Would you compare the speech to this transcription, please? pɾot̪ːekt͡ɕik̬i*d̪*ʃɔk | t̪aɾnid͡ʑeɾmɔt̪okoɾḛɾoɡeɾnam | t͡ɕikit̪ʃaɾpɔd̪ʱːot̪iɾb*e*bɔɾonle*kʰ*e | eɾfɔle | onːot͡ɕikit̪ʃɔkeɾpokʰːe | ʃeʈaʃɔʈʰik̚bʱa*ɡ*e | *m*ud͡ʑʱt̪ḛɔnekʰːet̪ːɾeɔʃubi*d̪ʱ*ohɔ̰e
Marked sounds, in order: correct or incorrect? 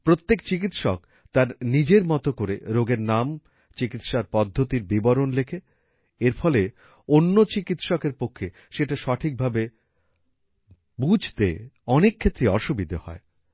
incorrect: t̪, incorrect: i, correct, incorrect: b, incorrect: b, correct

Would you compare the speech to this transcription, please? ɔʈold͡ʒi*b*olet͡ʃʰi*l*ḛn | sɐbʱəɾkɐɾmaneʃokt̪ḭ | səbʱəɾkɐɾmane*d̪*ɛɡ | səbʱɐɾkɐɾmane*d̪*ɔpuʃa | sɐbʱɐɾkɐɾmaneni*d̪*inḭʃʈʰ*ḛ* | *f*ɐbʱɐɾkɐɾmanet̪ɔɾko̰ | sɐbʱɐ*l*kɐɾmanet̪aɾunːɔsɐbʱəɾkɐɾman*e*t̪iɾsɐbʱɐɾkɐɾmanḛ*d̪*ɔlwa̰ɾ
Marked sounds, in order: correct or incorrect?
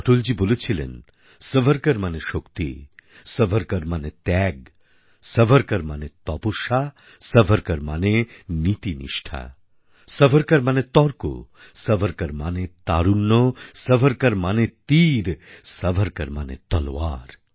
correct, correct, incorrect: t̪, incorrect: t̪, incorrect: t̪, incorrect: a̰, incorrect: s, incorrect: ɾ, correct, incorrect: t̪

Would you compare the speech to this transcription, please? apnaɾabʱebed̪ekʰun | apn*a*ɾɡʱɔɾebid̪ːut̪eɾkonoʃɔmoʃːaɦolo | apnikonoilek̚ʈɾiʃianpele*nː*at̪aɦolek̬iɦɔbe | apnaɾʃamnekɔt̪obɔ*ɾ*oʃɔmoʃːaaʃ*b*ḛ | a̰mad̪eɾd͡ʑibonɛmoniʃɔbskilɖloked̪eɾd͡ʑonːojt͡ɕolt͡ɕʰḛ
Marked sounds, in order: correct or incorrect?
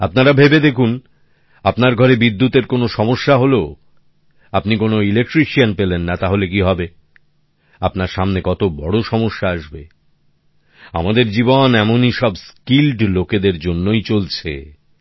correct, correct, incorrect: ɽ, correct

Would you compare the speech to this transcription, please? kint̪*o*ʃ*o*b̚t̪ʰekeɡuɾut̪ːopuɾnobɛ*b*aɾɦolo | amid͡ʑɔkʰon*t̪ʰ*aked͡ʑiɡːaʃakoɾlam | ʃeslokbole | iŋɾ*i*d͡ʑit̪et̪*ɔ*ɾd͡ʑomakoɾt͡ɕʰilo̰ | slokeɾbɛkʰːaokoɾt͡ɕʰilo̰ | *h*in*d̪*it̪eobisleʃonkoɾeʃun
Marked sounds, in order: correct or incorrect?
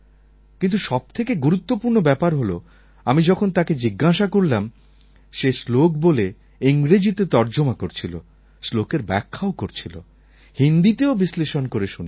incorrect: u, incorrect: ɔ, incorrect: p, incorrect: t̪, incorrect: e, correct, correct, correct

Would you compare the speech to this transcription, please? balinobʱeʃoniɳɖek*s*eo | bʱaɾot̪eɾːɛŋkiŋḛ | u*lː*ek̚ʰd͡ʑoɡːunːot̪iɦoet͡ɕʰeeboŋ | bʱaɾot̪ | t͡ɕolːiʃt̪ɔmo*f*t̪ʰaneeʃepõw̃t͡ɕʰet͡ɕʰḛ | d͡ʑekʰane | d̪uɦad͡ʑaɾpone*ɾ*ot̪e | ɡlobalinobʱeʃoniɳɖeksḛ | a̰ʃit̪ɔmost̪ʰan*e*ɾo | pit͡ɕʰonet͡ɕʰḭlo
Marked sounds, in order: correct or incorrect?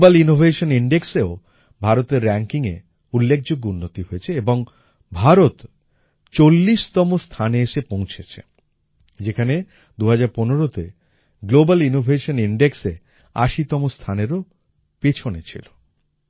correct, correct, incorrect: s, correct, correct

